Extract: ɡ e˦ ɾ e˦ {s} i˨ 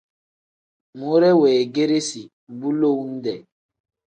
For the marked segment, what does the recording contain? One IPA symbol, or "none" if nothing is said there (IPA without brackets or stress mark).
s